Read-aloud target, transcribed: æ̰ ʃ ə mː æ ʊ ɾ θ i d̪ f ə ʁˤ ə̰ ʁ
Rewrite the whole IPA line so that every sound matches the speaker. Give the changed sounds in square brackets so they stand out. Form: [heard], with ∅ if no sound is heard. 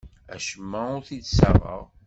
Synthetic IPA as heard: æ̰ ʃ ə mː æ ʊ ɾ θ i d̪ [s] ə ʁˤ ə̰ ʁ